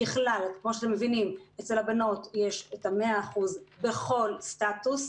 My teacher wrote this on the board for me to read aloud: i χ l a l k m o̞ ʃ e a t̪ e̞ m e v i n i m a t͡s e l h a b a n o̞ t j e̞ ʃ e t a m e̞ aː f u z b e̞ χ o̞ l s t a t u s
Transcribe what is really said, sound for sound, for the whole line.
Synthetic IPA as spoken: i χ l a l k m o̞ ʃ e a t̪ e̞ m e v i n i m e t͡s e l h a b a n o̞ t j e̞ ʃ e t a m e̞ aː χ u z b e̞ χ o̞ l s t a t u s